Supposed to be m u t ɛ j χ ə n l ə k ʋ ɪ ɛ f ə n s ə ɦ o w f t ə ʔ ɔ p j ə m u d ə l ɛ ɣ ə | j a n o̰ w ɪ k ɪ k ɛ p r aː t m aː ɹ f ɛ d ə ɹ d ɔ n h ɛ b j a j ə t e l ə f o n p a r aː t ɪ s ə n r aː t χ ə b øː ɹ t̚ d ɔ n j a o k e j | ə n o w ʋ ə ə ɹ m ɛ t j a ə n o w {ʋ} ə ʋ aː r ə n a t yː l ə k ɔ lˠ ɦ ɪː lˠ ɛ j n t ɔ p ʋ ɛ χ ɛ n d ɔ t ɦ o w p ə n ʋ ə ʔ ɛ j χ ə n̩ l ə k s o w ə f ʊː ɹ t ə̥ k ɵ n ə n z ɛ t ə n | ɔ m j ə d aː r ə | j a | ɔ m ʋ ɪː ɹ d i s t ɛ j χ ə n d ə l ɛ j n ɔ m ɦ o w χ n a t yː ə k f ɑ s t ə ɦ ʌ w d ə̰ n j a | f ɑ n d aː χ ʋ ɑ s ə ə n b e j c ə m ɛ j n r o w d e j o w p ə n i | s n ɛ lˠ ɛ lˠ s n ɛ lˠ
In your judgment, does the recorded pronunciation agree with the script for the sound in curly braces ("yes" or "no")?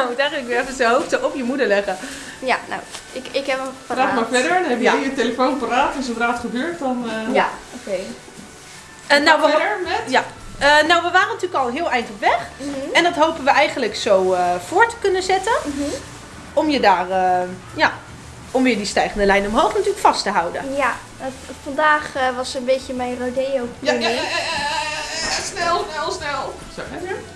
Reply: yes